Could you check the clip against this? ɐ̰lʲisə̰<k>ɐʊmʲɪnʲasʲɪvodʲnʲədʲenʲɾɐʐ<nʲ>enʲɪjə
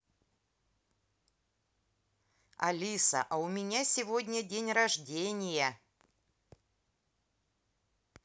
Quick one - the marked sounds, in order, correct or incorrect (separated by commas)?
incorrect, incorrect